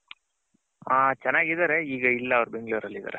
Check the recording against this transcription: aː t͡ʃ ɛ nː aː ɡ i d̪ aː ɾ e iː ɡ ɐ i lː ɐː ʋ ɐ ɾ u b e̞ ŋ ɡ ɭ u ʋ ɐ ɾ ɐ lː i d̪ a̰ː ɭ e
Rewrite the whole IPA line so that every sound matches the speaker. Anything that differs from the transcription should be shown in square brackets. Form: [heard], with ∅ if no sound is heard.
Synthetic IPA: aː t͡ʃ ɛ nː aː ɡ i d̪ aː ɾ e iː ɡ ɐ i lː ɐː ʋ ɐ ɾ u b e̞ ŋ ɡ ɭ u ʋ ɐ ɾ ɐ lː i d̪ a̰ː [ɾ] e